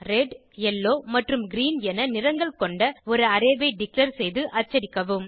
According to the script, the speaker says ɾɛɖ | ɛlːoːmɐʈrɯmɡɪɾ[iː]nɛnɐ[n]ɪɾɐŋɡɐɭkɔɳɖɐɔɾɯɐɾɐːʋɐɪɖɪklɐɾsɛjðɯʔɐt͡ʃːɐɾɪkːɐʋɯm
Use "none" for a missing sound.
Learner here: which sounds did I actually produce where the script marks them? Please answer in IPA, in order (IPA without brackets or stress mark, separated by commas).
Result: iː, n